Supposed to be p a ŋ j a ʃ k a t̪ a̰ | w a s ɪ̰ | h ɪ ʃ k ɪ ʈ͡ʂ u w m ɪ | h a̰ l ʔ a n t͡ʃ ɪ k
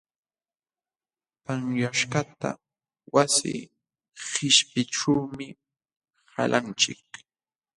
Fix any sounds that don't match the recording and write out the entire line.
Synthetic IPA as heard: p a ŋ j a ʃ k a t̪ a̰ | w a s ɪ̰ | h ɪ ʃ p ɪ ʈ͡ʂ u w m ɪ | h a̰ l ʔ a n t͡ʃ ɪ k